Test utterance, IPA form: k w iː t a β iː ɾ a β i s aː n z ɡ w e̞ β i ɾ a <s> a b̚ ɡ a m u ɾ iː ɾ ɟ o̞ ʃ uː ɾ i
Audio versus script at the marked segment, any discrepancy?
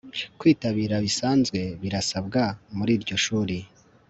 no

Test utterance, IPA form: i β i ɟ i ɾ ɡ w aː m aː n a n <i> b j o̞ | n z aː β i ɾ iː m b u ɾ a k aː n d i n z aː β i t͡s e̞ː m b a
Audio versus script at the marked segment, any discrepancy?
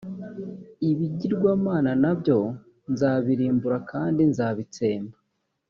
yes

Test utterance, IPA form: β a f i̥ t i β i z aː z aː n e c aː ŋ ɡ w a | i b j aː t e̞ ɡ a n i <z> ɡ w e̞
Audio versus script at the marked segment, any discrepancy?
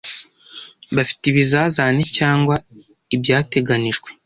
yes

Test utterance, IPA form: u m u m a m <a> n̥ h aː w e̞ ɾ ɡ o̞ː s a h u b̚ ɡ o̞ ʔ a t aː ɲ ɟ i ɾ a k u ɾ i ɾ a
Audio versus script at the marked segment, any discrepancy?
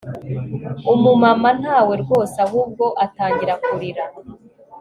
no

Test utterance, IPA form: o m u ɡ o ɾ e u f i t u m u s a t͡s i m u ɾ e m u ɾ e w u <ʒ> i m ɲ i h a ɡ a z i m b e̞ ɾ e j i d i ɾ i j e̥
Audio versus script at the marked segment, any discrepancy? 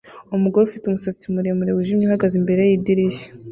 no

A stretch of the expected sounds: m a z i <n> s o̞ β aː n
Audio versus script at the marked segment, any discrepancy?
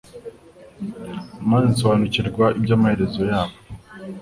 no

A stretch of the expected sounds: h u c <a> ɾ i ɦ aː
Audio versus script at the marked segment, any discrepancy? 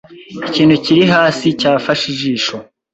yes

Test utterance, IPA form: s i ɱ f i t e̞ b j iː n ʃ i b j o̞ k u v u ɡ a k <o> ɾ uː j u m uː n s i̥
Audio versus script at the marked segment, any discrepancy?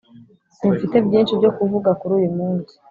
yes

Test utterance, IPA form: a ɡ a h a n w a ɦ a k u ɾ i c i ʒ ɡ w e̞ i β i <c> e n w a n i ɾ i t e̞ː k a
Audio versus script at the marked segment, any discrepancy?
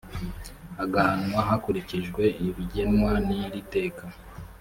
yes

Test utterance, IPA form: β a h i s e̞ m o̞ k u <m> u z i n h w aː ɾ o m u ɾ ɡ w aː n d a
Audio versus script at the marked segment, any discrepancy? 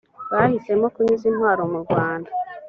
yes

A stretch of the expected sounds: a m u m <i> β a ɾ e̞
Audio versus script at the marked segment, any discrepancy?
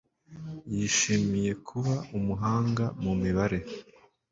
no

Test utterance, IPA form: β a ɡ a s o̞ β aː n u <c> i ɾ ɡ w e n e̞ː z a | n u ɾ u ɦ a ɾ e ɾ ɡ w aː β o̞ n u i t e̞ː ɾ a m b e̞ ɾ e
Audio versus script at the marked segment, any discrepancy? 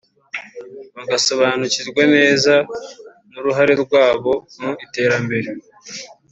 no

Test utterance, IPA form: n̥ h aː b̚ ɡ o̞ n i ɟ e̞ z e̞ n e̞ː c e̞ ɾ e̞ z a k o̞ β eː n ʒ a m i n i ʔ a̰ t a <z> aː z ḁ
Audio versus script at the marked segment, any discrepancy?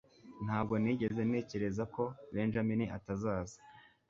no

